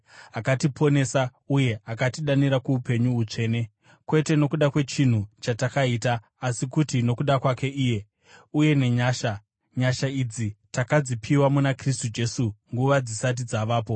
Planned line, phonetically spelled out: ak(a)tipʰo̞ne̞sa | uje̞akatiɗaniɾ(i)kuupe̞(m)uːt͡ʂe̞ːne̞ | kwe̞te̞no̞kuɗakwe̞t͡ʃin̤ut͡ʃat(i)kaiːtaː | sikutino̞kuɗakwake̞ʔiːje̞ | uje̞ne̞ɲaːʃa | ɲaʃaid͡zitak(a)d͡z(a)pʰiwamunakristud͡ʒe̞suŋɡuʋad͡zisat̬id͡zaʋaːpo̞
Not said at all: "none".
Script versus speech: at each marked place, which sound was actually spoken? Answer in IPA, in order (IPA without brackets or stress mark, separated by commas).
a, a, ɲ, a, a, i